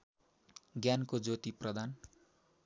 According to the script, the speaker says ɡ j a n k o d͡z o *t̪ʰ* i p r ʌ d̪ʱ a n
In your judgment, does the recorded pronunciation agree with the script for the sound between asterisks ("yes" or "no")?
no